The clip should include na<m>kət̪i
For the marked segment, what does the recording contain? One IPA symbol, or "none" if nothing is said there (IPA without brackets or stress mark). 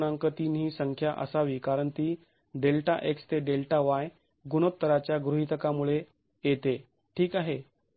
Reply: ŋ